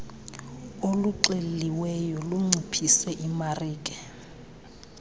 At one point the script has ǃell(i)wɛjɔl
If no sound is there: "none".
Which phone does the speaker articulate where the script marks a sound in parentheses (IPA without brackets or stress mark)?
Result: i